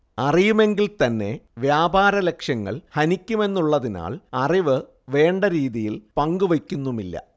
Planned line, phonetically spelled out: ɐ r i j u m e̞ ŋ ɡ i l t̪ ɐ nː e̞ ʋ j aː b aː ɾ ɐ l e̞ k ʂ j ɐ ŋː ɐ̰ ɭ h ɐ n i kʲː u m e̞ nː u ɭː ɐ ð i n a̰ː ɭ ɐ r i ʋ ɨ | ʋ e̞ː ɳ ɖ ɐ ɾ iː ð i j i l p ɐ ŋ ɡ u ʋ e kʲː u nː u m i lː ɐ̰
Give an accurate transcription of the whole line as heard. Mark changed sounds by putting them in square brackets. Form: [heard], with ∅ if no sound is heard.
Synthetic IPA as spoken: ɐ r i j u m e̞ ŋ ɡ i l t̪ ɐ nː e̞ ʋ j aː b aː ɾ ɐ l e̞ k ʂ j ɐ ŋː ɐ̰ ɭ h ɐ n i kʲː u m e̞ nː u ɭː ɐ ð i n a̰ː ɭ ɐ r i ʋ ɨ | ʋ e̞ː ɳ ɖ ɐ ɾ iː ð i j i l p ɐ ŋ ɡ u ʋ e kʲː u nː u m i lː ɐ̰

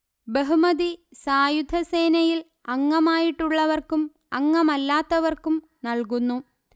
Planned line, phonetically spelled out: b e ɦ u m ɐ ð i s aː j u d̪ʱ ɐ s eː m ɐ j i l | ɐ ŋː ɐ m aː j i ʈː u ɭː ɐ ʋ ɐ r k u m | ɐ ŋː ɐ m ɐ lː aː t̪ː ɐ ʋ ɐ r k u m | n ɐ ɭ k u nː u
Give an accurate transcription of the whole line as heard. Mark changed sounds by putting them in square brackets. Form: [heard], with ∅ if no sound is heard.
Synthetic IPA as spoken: b e ɦ u m ɐ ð i s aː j u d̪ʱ ɐ s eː [n] ɐ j i l | ɐ ŋː ɐ m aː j i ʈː u ɭː ɐ ʋ ɐ r k u m | ɐ ŋː ɐ m ɐ lː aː t̪ː ɐ ʋ ɐ r k u m | n ɐ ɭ k u nː u

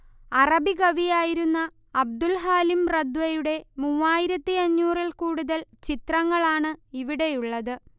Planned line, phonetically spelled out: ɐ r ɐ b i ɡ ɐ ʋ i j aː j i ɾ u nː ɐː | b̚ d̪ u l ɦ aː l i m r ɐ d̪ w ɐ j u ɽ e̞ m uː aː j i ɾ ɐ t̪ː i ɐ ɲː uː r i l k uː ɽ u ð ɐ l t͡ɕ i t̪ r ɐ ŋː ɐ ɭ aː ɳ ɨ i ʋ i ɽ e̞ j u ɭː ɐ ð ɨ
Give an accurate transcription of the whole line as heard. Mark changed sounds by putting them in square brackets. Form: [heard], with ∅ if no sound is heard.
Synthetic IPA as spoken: ɐ r ɐ b i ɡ ɐ ʋ i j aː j i ɾ u nː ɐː | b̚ d̪ u l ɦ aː l i m r ɐ d̪ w ɐ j u ɽ e̞ m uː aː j i ɾ ɐ t̪ː i ɐ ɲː uː r i l k uː ɽ u ð ɐ l t͡ɕ i t̪ r ɐ ŋː ɐ ɭ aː ɳ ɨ i ʋ i ɽ e̞ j u ɭː ɐ ð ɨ

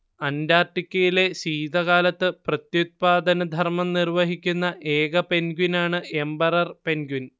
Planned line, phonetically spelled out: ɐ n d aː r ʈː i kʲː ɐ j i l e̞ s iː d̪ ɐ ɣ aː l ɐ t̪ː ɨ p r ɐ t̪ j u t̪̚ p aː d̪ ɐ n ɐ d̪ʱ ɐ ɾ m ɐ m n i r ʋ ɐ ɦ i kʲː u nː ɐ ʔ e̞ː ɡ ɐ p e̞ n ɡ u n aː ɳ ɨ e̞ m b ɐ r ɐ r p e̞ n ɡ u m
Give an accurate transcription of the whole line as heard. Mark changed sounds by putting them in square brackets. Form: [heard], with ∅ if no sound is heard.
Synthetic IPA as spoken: ɐ n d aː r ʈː i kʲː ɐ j i l e̞ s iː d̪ ɐ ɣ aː l ɐ t̪ː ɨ p r ɐ t̪ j u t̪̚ p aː d̪ ɐ n ɐ d̪ʱ ɐ [r] m ɐ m n i r ʋ ɐ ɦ i kʲː u nː ɐ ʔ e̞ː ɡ ɐ p e̞ n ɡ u n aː ɳ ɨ e̞ m b ɐ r ɐ r p e̞ n ɡ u [n]

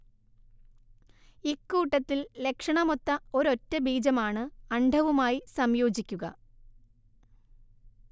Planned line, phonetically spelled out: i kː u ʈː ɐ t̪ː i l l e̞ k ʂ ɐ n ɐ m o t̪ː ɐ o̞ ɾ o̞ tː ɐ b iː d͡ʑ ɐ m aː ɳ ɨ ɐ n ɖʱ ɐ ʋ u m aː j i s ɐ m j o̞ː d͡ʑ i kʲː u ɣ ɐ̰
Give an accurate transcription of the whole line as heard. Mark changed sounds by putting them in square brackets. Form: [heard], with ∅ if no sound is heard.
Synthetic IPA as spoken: i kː [uː] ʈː ɐ t̪ː i l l e̞ k ʂ ɐ [ɳ] ɐ m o t̪ː ɐ o̞ ɾ o̞ tː ɐ b iː d͡ʑ ɐ m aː ɳ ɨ ɐ [ɳ] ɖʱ ɐ ʋ u m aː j i s ɐ m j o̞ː d͡ʑ i kʲː u ɣ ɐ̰

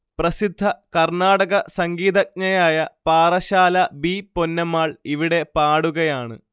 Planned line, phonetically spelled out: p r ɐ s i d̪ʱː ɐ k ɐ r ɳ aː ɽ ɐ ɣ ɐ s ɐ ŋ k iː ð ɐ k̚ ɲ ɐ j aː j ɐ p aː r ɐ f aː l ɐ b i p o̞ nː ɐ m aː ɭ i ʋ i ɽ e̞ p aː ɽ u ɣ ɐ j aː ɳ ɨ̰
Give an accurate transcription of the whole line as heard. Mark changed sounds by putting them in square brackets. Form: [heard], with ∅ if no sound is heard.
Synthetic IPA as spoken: p r ɐ s i d̪ʱː ɐ k ɐ r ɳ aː ɽ ɐ ɣ ɐ s ɐ ŋ [ɡ] iː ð ɐ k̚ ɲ ɐ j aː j ɐ p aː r ɐ [ɕ] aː l ɐ b i p o̞ nː ɐ m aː ɭ i ʋ i ɽ e̞ p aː ɽ u ɣ ɐ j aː ɳ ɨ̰

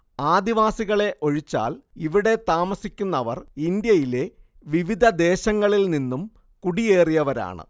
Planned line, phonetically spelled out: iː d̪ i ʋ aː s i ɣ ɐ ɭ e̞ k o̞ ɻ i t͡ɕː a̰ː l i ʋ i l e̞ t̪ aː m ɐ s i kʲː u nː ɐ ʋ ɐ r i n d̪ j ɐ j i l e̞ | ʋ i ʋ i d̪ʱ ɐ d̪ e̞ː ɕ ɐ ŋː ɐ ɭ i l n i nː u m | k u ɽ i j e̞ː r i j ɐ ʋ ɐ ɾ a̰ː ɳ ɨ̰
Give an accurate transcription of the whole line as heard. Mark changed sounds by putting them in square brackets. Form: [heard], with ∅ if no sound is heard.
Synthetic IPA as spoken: [aː] d̪ i ʋ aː s i ɣ ɐ ɭ e̞ [ʔ] o̞ ɻ i t͡ɕː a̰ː l i ʋ i [ɽ] e̞ t̪ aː m ɐ s i kʲː u nː ɐ ʋ ɐ r i n d̪ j ɐ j i l e̞ | ʋ i ʋ i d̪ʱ ɐ d̪ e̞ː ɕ ɐ ŋː ɐ ɭ i l n i nː u m | k u ɽ i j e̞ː r i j ɐ ʋ ɐ ɾ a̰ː ɳ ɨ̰

